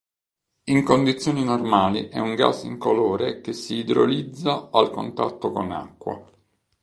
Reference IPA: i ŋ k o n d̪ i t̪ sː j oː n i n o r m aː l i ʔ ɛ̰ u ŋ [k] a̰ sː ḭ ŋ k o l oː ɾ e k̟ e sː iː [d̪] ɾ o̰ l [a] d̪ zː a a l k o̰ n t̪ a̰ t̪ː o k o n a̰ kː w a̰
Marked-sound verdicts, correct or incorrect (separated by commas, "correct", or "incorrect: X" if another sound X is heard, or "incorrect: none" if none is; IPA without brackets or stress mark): incorrect: ɡ, correct, incorrect: i